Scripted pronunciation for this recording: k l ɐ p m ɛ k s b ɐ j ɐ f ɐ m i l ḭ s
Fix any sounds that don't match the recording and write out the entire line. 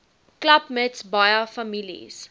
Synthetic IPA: k l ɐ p m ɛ t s b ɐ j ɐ f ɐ m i l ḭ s